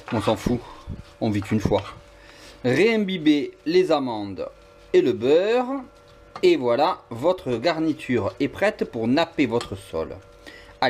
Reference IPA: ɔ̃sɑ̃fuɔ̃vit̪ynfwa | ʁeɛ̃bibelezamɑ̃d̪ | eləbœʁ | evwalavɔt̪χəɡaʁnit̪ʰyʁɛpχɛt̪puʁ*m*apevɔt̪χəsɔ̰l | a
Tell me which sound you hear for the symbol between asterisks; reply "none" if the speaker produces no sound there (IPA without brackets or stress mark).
n